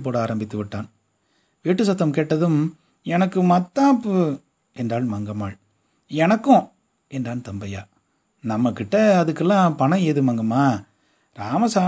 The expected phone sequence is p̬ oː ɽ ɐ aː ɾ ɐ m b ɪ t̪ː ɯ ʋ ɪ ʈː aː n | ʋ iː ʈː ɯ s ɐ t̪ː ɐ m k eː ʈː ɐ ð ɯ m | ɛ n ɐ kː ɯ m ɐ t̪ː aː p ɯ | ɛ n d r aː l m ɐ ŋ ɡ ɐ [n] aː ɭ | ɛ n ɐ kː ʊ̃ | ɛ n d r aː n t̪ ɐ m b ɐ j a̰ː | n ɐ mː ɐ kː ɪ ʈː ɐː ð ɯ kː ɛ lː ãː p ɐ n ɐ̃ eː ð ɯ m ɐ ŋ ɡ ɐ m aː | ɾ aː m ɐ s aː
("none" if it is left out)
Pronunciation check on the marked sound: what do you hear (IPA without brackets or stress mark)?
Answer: m